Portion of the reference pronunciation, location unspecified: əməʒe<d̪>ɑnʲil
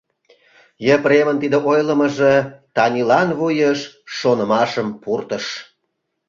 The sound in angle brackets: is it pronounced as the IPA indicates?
no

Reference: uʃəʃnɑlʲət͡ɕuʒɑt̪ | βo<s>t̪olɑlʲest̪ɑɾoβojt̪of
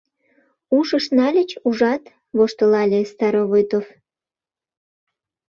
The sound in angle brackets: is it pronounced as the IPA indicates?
no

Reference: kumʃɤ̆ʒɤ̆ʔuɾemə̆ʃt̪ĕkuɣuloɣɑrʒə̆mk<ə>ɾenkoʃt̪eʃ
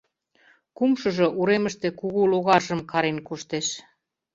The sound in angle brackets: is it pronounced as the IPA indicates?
no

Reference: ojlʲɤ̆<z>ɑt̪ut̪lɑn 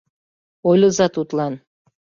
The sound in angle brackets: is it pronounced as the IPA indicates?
yes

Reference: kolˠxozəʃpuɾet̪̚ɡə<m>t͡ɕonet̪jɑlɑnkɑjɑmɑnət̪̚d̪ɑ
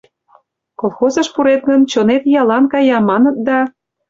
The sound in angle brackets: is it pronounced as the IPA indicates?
no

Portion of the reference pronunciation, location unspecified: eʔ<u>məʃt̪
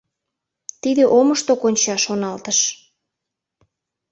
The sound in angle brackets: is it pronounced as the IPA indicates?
no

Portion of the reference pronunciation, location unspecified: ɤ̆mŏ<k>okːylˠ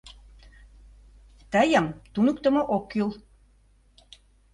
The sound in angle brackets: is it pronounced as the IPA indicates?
no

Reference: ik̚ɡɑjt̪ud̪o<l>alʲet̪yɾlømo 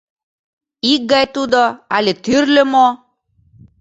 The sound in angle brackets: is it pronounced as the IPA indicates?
no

